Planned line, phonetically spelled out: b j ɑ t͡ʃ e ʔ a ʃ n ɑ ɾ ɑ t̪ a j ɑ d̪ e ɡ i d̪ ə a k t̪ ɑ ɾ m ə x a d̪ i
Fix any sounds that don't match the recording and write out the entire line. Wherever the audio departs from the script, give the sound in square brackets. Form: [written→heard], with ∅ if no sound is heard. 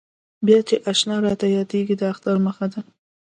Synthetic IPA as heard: b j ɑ t͡ʃ e ʔ a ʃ n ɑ ɾ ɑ t̪ a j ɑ d̪ e ɡ i d̪ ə a [k→x] t̪ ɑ ɾ m ə x a d̪ [i→a]